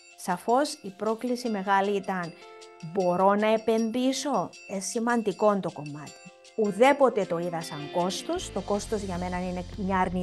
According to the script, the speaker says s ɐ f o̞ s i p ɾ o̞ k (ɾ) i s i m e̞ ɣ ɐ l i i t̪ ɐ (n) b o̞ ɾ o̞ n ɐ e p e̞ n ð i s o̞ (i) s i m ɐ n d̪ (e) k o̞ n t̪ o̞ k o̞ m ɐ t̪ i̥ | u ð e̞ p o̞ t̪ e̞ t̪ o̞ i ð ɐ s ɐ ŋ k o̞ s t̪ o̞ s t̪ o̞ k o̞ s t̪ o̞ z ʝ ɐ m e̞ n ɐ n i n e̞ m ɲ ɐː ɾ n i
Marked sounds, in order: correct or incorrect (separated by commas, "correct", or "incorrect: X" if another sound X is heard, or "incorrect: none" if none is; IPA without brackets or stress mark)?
incorrect: l, correct, incorrect: e, incorrect: i